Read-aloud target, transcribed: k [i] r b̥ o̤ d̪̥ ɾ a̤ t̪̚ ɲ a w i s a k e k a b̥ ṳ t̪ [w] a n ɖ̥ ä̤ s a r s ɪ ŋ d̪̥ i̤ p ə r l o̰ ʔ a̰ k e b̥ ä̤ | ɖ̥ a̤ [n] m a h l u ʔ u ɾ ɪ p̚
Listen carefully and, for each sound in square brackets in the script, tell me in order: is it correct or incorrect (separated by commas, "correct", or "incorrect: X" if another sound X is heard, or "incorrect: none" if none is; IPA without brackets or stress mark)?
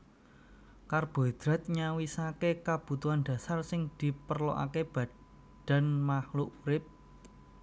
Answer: incorrect: a, incorrect: u, correct